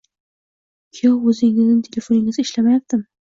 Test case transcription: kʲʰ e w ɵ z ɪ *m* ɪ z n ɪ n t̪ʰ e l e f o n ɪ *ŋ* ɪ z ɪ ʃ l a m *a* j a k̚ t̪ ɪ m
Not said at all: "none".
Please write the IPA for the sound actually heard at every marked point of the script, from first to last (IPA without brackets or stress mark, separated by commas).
ŋ, ŋ, a